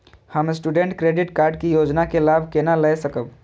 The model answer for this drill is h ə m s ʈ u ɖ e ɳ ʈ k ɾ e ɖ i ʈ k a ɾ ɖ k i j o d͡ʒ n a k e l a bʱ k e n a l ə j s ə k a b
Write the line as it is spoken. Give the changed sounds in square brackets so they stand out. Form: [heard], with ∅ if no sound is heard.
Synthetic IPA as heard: h ə m s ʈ u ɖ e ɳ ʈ k ɾ e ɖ i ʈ k a ɾ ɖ k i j o d͡ʒ n a k e l a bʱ k e n a l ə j s ə k [ə] b